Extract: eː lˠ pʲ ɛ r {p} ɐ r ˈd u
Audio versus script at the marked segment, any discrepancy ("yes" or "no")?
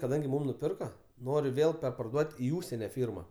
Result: no